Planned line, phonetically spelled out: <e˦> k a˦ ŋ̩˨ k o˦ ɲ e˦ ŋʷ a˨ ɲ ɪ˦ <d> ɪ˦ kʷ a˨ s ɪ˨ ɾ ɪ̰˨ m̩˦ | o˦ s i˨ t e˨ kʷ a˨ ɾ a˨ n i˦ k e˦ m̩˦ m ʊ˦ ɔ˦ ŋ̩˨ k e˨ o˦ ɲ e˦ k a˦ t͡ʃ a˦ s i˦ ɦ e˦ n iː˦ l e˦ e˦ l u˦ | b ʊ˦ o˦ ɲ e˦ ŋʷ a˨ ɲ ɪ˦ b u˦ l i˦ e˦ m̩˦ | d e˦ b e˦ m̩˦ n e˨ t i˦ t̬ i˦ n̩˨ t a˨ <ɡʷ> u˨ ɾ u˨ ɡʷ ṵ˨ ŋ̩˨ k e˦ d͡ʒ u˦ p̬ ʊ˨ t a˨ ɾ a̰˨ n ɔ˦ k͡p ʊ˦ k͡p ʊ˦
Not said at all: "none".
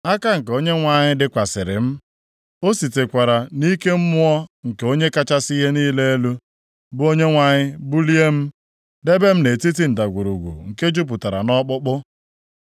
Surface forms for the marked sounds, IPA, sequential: a˦, d, ɡʷ

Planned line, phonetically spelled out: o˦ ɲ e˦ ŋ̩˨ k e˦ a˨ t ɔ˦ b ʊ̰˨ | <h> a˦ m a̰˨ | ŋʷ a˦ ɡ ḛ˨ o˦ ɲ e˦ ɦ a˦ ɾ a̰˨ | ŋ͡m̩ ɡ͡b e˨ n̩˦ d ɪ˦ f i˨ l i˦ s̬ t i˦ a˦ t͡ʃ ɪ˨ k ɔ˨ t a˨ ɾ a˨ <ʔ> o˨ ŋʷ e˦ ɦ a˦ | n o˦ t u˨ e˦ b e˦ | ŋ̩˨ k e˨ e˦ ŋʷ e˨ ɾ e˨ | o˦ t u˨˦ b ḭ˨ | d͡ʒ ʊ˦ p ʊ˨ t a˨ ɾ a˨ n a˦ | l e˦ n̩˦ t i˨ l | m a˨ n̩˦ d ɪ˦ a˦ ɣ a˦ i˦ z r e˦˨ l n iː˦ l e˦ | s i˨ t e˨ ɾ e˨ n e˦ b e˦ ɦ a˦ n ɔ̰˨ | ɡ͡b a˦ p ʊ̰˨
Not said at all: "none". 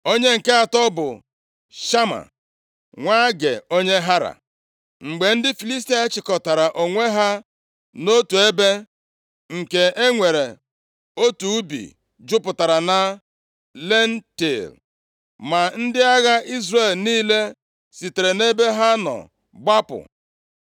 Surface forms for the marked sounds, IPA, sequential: ʃ, ʔ

